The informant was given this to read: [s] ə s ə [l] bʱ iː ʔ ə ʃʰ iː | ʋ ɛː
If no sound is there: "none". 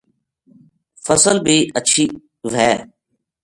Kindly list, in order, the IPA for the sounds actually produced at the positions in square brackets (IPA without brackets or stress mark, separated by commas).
f, l